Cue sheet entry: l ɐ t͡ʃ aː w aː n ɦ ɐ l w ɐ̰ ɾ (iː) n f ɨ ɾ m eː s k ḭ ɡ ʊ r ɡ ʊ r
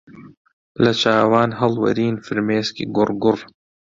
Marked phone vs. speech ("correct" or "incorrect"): correct